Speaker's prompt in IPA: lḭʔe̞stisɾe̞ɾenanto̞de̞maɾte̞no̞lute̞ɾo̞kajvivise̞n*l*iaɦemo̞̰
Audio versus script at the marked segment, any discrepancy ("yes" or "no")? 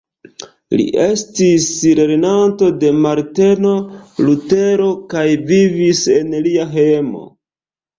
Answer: no